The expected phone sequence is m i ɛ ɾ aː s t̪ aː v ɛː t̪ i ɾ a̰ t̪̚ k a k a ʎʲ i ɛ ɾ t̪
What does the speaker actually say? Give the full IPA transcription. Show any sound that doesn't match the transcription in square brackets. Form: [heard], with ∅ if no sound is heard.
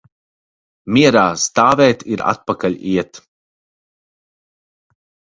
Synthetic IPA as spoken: m i ɛ ɾ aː s t̪ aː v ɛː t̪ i ɾ a̰ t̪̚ [p] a k a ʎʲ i ɛ [∅] t̪